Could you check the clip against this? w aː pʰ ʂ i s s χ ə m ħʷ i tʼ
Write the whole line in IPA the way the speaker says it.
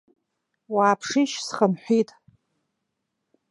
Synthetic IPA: w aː pʰ ʂ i ʃ s χ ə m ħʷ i tʼ